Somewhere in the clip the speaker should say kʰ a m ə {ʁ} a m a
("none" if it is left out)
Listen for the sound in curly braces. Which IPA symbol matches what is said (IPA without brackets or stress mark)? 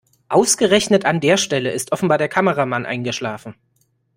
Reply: ʁ